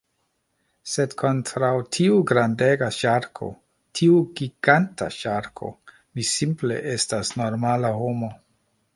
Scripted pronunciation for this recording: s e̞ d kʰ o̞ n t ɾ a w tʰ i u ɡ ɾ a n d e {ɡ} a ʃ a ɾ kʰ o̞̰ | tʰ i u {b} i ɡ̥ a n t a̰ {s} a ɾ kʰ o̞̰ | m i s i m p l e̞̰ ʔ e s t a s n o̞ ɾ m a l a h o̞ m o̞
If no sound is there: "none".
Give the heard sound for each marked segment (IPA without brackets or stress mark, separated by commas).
ɡ, ɡ, ʃ